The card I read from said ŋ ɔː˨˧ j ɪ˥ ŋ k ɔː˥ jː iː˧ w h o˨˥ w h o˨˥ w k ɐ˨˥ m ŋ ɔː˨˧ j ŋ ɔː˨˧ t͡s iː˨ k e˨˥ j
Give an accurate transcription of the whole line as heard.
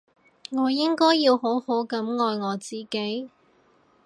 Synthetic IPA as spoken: ŋ ɔː˨˧ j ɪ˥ ŋ k ɔː˥ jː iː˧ w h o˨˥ w h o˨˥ w k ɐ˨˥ m ŋ ɔː˨˧ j ŋ ɔː˨˧ t͡s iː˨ k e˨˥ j